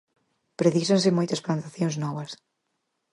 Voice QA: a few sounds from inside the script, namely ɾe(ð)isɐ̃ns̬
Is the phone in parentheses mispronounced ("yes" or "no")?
no